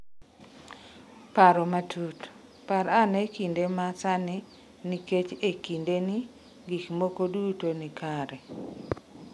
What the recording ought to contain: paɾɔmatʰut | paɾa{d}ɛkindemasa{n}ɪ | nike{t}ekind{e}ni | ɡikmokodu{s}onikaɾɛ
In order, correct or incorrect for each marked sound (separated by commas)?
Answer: incorrect, correct, incorrect, correct, incorrect